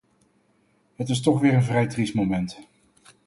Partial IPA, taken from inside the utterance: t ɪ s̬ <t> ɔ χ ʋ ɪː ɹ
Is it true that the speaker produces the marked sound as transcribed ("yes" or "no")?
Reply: yes